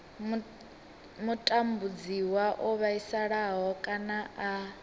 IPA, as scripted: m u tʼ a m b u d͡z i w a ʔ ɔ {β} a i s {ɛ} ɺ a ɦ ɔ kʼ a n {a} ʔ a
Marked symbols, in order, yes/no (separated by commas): yes, no, yes